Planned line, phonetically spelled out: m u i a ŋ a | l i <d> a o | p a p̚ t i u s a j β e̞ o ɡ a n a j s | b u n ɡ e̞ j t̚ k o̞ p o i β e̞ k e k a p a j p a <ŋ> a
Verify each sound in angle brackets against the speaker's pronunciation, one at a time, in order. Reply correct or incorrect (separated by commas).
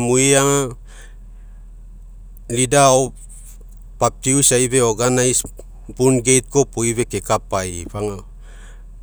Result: correct, correct